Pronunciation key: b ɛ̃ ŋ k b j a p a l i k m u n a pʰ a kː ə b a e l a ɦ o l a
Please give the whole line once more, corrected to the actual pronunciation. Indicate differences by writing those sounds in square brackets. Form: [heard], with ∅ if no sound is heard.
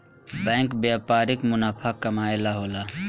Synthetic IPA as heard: b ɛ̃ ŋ k b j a p a [ɾ] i k m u n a pʰ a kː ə [m] a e l a ɦ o l a